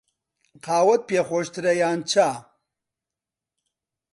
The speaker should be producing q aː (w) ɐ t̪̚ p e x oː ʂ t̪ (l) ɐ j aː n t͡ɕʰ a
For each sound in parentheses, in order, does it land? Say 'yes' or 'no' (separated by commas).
yes, no